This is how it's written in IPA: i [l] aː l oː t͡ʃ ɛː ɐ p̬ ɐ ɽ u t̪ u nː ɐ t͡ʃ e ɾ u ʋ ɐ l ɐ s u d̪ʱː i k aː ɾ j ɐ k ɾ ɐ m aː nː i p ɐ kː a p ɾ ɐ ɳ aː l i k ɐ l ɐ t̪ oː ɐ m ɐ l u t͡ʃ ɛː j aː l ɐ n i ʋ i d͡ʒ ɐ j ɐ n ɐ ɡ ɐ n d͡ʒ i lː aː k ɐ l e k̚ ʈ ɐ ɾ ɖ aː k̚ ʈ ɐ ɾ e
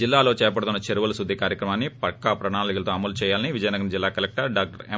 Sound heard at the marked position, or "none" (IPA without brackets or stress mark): lː